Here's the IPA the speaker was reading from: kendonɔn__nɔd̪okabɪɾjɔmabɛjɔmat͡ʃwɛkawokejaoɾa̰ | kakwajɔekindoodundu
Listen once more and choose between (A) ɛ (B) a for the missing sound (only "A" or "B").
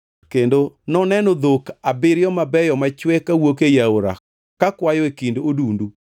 A